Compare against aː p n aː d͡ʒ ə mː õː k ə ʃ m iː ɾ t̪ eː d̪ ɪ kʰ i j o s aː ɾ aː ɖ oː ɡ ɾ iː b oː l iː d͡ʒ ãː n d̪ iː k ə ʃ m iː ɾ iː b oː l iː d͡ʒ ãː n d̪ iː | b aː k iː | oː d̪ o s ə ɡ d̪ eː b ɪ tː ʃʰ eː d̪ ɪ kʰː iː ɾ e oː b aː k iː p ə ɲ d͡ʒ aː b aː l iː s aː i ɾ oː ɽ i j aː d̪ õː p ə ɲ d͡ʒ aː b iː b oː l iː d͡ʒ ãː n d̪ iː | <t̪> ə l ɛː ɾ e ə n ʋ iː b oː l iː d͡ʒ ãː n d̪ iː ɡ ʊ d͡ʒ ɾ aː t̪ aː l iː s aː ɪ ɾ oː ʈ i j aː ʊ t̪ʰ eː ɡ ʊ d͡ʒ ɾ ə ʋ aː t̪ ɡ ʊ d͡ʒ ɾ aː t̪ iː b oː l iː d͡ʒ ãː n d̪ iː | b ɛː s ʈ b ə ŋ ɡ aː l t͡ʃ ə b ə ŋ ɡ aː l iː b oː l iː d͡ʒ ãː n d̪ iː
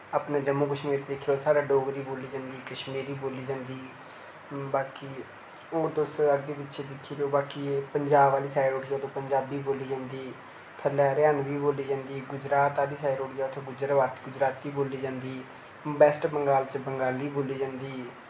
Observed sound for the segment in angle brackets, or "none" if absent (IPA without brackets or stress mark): t̪ʰ